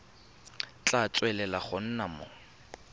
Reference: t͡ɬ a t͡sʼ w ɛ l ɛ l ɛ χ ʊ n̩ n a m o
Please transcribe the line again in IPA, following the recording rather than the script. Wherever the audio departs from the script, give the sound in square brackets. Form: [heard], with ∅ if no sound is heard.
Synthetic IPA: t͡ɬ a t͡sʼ w ɛ l ɛ l [a] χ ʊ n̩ n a m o